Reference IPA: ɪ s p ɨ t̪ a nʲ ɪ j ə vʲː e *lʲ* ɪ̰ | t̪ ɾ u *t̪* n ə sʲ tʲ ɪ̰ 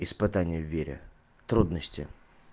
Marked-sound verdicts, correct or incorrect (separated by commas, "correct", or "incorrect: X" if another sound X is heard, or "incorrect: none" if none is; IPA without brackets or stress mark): incorrect: ɾʲ, incorrect: d̪